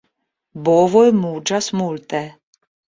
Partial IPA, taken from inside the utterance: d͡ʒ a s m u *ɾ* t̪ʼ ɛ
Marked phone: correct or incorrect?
incorrect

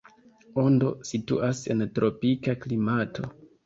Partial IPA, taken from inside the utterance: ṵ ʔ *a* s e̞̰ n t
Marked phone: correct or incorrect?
correct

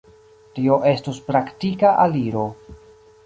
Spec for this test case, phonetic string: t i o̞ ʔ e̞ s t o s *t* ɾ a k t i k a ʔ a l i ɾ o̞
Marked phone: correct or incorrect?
incorrect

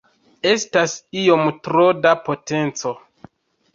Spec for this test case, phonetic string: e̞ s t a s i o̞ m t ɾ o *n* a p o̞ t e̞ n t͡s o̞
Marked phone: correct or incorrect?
incorrect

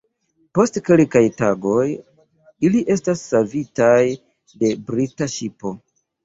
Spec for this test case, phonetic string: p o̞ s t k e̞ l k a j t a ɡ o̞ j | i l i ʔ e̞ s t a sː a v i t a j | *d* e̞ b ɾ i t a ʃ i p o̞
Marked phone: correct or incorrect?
correct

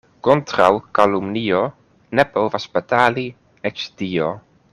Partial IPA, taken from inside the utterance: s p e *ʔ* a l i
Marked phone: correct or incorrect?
incorrect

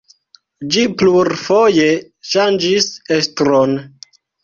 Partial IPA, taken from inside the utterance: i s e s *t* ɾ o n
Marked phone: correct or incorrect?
correct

